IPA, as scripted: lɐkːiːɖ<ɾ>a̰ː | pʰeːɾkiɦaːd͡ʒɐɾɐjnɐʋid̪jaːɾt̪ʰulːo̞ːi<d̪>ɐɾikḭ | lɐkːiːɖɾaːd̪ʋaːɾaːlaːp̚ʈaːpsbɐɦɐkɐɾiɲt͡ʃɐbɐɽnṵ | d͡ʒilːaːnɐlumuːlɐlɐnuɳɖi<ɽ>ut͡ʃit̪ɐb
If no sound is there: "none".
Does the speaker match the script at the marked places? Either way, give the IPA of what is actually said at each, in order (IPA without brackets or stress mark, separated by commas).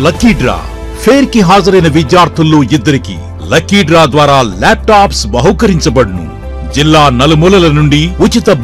ɾ, d̪ː, none